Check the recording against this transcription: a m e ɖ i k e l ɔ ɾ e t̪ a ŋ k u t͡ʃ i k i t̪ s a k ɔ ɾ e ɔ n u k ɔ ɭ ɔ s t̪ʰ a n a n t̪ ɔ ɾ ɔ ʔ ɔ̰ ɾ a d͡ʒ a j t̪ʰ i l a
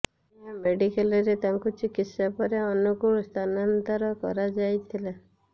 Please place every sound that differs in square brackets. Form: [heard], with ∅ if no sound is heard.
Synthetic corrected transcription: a m e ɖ i k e l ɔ ɾ e t̪ a ŋ k u t͡ʃ i k i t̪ s a [p] ɔ ɾ e ɔ n u k [u] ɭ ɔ s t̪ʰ a n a n t̪ ɔ ɾ ɔ [k] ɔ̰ ɾ a d͡ʒ a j t̪ʰ i l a